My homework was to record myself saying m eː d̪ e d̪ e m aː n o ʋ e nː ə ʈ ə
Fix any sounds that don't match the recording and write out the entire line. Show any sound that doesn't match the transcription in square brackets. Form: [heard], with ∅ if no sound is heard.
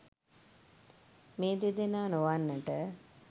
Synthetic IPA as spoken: m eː d̪ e d̪ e [n] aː n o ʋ [a] nː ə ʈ ə

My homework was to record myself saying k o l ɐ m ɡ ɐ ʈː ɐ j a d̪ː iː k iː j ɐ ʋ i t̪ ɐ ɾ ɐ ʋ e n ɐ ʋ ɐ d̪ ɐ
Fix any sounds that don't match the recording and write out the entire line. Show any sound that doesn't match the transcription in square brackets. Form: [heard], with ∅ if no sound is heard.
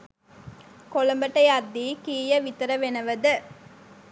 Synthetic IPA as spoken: k o l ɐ m [b] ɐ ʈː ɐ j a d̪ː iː k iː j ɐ ʋ i t̪ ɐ ɾ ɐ ʋ e n ɐ ʋ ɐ d̪ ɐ

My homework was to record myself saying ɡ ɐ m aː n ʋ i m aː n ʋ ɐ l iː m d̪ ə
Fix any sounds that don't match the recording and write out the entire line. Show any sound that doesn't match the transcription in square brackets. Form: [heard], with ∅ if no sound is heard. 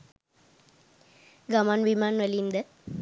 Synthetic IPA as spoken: ɡ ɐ m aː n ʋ i m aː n ʋ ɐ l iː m d̪ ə

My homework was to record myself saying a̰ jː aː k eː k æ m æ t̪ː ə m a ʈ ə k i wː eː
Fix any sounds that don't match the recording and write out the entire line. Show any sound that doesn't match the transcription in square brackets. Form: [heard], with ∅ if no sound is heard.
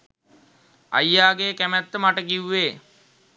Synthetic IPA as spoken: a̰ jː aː [ɡ] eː k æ m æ t̪ː ə m a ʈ ə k i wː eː

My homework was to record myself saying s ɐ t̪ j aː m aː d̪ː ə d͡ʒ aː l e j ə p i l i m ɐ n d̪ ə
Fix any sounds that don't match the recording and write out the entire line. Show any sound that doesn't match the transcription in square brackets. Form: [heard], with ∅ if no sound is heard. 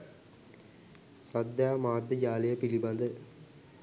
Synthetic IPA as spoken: s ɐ [d̪] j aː m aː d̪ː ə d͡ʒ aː l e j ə p i l i [b] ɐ n d̪ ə

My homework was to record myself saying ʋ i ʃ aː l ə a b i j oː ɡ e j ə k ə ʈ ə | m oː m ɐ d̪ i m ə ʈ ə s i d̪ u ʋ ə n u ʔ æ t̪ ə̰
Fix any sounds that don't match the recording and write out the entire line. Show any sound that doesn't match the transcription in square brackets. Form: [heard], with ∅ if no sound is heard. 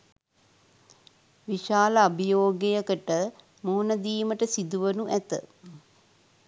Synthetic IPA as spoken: ʋ i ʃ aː l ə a b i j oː ɡ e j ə k ə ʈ ə | m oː [n] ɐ d̪ [iː] m ə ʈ ə s i d̪ u ʋ ə n u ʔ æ t̪ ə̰

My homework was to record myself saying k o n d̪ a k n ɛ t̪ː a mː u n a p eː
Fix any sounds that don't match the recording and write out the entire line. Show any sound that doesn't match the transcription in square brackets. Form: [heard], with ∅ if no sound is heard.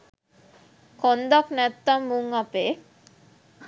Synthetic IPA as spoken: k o n d̪ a k n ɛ t̪ː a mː u [ŋ] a p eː

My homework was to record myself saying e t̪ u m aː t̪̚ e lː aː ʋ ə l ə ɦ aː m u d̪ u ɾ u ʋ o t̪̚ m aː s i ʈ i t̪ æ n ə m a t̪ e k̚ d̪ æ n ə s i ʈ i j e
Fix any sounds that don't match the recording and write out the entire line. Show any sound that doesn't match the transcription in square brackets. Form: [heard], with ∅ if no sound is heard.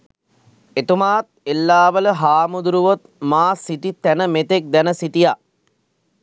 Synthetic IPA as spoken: e t̪ u m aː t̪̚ e lː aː ʋ ə l ə ɦ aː m u d̪ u ɾ u ʋ o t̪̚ m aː s i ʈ i t̪ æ n ə m [e] t̪ e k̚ d̪ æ n ə s i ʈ i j [a]

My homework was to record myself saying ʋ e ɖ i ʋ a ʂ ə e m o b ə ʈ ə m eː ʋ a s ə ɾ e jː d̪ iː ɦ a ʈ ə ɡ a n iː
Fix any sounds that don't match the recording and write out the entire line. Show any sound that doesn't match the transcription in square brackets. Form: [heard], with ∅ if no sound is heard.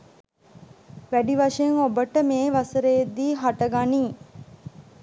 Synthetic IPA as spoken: ʋ [æ] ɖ i ʋ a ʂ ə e [ŋ] o b ə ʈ ə m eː ʋ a s ə ɾ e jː d̪ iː ɦ a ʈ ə ɡ a n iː

